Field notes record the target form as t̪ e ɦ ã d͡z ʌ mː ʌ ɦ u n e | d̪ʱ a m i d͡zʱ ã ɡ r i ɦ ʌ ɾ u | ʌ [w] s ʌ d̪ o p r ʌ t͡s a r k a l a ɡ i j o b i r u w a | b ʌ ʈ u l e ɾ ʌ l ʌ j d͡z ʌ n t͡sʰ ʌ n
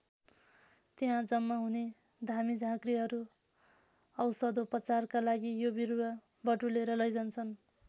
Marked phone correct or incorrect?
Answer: correct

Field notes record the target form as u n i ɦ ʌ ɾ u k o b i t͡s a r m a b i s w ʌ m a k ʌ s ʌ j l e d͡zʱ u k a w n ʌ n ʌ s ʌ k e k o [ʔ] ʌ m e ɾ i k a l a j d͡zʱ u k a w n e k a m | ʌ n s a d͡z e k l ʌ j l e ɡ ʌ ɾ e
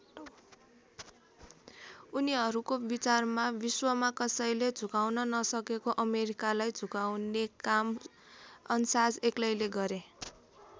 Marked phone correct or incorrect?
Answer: correct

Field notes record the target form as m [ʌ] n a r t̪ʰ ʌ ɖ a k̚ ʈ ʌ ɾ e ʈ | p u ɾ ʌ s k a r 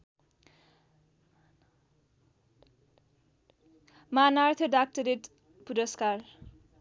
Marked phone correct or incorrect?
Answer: incorrect: a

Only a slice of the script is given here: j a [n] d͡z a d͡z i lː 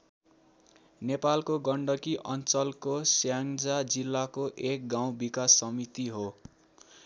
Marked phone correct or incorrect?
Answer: incorrect: ŋ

